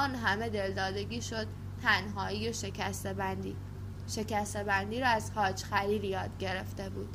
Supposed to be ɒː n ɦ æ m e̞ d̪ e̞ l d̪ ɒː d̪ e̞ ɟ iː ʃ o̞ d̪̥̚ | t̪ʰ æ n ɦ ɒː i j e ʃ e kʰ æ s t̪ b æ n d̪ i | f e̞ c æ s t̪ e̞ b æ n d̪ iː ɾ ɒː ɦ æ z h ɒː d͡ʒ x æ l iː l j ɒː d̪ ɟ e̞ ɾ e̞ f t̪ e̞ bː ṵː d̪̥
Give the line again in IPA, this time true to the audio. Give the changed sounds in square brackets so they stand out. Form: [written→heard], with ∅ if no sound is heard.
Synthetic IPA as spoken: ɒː n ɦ æ m e̞ d̪ e̞ l d̪ ɒː d̪ e̞ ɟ iː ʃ o̞ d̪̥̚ | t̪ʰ æ n ɦ ɒː i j e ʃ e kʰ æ s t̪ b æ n d̪ i | [f→ʃ] e̞ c æ s t̪ e̞ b æ n d̪ iː ɾ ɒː [ɦ→∅] æ z h ɒː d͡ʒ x æ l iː l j ɒː d̪ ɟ e̞ ɾ e̞ f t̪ e̞ [bː→b] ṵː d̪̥